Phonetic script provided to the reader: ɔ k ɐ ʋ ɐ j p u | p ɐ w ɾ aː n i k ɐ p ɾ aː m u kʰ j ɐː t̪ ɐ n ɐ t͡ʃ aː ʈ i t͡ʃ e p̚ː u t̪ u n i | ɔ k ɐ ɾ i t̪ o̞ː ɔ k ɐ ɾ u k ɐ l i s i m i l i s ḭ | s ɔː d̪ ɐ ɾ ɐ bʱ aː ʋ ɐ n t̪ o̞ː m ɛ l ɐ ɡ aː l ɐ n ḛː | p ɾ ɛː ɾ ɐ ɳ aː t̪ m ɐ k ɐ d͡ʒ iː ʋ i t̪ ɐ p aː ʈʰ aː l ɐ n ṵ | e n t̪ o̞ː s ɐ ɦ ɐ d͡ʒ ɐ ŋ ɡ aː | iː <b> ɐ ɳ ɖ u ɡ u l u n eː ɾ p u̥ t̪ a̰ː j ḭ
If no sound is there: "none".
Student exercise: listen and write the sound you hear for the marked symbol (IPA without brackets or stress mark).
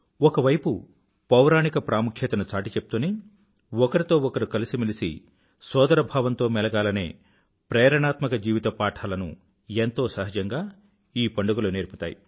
p